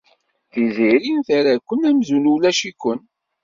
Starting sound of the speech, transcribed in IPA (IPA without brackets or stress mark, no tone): θ